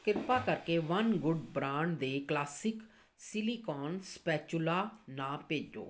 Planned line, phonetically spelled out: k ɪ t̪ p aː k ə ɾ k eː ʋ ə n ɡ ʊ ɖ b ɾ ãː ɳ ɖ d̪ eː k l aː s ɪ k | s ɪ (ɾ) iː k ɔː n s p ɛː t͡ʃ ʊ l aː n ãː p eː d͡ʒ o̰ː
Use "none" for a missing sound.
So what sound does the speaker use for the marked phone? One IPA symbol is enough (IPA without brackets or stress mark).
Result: l